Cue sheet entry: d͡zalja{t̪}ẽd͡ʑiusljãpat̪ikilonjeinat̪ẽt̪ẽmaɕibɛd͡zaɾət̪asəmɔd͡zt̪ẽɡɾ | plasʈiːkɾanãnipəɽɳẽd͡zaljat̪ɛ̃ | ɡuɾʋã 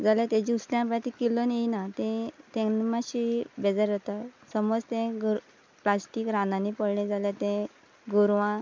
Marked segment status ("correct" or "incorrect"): correct